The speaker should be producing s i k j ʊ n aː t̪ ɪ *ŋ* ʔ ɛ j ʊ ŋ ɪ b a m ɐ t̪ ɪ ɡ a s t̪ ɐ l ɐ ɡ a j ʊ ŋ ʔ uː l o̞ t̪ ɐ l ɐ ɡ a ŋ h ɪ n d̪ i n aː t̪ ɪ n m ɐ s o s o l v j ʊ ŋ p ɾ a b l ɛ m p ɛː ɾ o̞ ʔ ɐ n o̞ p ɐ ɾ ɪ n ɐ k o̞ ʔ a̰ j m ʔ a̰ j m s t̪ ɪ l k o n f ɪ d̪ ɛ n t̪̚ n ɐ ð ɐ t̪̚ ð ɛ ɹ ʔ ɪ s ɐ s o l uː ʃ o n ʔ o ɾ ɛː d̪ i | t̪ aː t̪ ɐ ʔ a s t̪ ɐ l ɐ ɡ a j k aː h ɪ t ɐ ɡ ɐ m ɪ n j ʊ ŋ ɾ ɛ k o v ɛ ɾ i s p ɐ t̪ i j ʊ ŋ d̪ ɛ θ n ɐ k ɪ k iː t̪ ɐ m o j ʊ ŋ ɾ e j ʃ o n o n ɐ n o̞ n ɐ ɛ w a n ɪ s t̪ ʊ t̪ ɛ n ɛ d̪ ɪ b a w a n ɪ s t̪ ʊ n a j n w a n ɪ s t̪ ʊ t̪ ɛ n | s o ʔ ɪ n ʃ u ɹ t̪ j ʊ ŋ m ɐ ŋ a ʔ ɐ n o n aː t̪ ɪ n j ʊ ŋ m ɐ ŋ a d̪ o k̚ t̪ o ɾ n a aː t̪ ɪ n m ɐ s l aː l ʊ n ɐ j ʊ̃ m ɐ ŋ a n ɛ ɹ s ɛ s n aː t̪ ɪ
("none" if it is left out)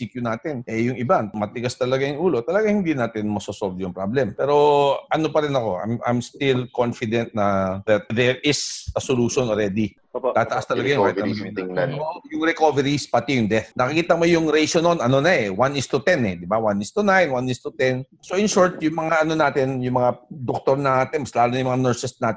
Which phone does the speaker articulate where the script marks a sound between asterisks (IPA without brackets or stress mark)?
n